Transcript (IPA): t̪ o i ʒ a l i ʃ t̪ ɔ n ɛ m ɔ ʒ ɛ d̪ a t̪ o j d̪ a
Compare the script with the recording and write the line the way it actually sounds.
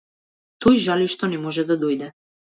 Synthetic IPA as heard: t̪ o j ʒ a l i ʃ t̪ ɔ n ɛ m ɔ ʒ ɛ d̪ a d̪ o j d̪ ɛ